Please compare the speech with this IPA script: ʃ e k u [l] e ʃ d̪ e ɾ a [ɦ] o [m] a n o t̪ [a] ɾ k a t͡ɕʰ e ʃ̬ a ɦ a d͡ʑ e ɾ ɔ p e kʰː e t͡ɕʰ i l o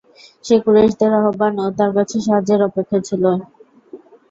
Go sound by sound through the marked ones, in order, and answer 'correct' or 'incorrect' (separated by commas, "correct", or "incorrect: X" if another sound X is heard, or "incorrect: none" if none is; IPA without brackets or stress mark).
incorrect: ɾ, correct, incorrect: b, correct